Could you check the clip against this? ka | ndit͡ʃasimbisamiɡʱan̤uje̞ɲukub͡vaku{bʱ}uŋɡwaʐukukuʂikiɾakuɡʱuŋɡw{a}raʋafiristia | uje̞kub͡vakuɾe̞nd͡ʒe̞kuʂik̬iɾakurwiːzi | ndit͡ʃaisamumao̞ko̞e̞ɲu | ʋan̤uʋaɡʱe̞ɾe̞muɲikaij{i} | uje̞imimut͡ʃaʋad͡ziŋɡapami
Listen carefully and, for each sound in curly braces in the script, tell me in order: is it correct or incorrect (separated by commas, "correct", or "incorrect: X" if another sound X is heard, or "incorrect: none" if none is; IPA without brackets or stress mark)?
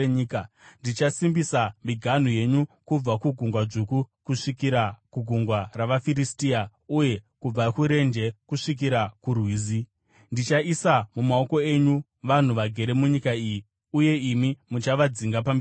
incorrect: ɡʱ, correct, correct